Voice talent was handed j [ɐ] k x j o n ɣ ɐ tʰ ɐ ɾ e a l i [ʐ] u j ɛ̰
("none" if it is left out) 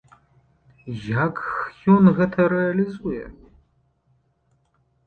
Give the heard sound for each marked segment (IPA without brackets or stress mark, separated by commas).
a, z